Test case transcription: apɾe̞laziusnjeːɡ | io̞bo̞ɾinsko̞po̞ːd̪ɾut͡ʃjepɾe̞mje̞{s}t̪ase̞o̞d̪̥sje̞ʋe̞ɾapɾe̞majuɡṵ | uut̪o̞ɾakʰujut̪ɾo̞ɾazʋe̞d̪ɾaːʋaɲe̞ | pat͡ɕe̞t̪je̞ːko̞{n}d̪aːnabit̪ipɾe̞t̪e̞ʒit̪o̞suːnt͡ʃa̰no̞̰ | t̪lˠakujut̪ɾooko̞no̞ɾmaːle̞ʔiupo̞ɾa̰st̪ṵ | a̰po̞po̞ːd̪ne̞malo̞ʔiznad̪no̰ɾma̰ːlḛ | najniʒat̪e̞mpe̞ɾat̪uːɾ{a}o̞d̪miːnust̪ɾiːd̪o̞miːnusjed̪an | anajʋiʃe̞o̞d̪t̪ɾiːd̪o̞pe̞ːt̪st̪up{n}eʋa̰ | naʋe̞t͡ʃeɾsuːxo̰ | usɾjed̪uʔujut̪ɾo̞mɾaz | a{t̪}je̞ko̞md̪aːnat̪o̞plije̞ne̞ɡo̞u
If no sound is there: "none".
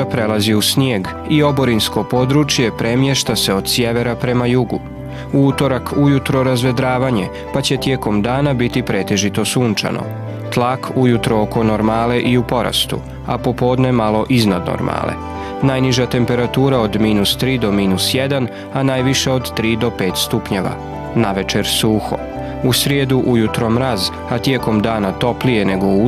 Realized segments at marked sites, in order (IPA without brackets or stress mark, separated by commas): ʃ, m, a, ɲ, t̪